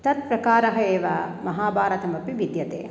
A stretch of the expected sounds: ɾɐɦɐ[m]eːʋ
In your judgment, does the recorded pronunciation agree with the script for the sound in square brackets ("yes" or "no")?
no